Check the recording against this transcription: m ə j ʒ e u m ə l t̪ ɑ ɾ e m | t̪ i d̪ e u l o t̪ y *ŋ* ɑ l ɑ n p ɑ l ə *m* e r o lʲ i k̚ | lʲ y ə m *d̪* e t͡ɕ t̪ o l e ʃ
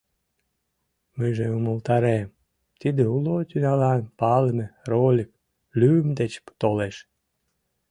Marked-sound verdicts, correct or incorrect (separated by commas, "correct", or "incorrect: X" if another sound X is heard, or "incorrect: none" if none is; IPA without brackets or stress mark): incorrect: n, correct, correct